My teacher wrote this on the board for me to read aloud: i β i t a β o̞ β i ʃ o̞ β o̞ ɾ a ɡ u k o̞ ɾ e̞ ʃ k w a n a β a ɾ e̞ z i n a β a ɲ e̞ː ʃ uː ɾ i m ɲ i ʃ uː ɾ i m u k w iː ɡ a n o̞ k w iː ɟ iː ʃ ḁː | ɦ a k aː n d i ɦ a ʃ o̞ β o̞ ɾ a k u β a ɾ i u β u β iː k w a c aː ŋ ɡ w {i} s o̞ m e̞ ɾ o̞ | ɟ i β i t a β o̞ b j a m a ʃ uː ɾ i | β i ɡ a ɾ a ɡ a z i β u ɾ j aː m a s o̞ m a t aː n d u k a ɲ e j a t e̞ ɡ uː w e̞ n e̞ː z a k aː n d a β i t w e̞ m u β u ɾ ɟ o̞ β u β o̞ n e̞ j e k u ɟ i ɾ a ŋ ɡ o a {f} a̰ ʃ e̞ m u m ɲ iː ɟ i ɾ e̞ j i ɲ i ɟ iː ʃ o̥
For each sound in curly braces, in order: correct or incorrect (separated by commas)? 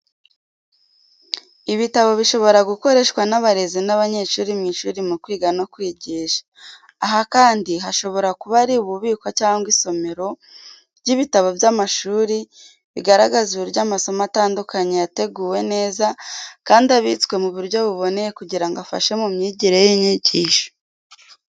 correct, correct